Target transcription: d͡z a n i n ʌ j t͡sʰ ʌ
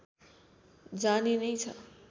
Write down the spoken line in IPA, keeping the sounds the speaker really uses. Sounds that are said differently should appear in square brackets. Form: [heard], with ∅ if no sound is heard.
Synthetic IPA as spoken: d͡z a n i n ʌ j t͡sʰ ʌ